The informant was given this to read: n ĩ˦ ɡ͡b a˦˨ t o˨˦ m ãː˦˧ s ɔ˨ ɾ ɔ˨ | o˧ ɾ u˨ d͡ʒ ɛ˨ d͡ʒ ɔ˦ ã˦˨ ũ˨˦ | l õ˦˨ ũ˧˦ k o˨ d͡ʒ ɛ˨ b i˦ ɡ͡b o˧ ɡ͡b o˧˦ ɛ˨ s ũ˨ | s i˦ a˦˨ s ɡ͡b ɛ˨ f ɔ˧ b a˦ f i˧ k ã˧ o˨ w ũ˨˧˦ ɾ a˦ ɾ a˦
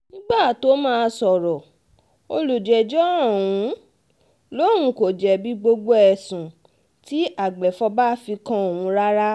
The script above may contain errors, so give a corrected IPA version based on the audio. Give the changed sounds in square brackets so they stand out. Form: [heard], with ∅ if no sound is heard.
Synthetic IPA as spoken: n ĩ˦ ɡ͡b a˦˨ t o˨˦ m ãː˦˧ s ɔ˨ ɾ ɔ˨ | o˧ [l] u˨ d͡ʒ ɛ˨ d͡ʒ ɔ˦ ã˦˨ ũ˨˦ | l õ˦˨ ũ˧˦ k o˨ d͡ʒ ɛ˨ b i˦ ɡ͡b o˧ ɡ͡b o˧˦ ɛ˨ s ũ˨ | [t] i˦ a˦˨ [∅] ɡ͡b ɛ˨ f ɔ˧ b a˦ f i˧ k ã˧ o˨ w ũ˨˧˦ ɾ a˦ ɾ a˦